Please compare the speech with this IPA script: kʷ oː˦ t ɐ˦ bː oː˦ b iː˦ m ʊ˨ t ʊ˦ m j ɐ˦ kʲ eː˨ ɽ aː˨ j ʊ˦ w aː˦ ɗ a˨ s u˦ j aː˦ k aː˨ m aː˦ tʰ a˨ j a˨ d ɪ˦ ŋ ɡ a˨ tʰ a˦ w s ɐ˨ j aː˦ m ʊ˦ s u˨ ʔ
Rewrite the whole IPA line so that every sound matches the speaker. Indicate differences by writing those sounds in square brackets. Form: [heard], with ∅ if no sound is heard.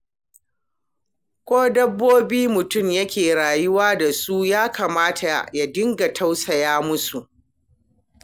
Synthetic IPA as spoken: kʷ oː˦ [d] ɐ˦ bː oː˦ b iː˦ m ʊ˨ t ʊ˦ m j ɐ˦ kʲ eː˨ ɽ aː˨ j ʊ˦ w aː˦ [d] a˨ s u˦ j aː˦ k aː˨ m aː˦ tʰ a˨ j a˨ d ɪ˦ ŋ ɡ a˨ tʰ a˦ w s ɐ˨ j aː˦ m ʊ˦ s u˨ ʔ